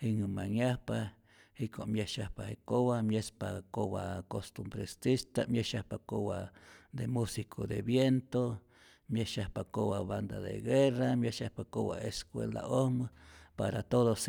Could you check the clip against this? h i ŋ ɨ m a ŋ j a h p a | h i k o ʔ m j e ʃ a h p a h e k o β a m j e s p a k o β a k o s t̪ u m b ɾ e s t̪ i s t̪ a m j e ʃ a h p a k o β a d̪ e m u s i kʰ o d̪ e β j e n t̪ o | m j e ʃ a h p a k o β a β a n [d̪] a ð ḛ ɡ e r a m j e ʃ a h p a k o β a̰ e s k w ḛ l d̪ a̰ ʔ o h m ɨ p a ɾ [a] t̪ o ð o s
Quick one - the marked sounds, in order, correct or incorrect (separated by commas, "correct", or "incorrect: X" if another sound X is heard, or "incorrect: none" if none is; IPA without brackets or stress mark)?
correct, correct